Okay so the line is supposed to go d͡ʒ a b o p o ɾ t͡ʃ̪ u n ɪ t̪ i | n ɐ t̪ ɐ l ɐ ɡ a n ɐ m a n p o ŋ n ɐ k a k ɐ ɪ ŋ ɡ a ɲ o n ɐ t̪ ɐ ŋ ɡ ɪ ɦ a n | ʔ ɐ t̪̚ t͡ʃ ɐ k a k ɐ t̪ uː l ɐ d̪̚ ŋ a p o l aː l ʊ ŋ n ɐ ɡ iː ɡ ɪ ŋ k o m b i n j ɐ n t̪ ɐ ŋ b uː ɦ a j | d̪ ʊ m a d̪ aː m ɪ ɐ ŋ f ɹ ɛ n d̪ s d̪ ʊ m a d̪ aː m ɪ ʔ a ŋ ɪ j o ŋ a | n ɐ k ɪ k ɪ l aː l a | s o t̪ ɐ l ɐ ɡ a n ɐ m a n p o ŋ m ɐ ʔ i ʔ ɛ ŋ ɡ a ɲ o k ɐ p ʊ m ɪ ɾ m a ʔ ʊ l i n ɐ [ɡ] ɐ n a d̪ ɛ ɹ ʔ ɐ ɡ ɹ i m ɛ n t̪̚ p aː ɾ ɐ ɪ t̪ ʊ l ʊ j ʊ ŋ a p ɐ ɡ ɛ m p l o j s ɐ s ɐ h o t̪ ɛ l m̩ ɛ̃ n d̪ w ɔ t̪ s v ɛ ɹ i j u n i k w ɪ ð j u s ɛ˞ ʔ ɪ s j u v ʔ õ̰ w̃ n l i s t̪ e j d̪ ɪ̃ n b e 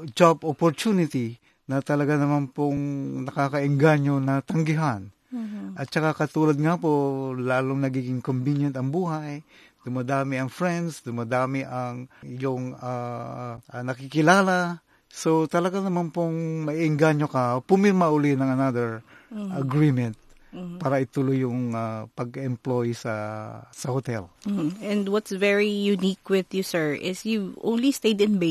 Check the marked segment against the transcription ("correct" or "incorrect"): incorrect